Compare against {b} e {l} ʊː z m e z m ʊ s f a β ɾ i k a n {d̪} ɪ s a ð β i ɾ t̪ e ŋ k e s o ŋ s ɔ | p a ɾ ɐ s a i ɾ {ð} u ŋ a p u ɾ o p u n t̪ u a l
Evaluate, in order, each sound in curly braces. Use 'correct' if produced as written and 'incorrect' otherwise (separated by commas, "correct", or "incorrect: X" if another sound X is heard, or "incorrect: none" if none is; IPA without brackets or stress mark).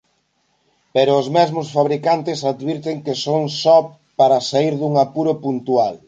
incorrect: p, incorrect: ɾ, incorrect: t̪, correct